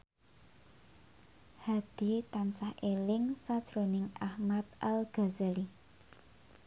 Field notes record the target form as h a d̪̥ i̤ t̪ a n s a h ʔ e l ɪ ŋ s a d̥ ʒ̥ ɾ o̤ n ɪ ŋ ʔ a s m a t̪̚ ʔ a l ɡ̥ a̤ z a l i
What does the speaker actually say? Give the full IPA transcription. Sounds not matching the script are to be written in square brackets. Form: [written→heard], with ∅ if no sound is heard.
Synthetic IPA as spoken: h a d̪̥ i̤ t̪ a n s a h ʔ e l ɪ ŋ s a d̥ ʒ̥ ɾ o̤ n ɪ ŋ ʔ a [s→h] m a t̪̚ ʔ a l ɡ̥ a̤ z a l i